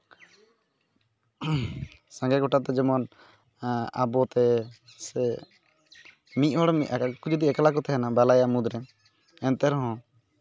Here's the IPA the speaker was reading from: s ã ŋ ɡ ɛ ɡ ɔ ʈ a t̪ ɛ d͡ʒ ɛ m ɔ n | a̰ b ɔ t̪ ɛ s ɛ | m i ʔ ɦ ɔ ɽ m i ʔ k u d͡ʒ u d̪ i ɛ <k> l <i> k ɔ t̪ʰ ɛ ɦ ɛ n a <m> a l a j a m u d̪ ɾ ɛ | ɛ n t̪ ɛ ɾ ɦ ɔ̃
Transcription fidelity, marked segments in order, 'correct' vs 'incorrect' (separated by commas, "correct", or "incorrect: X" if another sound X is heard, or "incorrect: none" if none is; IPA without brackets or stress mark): correct, incorrect: a, incorrect: b